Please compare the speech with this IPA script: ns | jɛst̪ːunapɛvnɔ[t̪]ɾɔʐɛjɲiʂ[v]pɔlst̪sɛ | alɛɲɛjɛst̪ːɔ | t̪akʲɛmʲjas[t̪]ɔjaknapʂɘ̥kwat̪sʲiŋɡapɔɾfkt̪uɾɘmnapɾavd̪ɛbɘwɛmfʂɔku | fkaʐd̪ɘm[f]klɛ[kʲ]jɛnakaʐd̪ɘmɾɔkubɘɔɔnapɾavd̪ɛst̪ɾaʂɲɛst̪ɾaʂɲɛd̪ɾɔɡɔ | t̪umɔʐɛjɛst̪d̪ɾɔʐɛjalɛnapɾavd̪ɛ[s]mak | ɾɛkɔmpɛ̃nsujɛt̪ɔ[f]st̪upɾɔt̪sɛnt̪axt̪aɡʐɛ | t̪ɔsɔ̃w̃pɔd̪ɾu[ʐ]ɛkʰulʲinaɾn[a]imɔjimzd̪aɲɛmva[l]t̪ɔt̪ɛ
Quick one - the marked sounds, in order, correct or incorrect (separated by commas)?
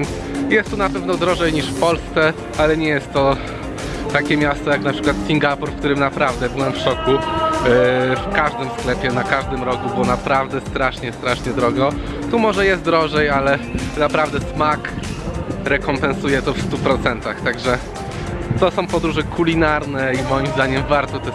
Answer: incorrect, incorrect, correct, incorrect, incorrect, correct, correct, correct, incorrect, incorrect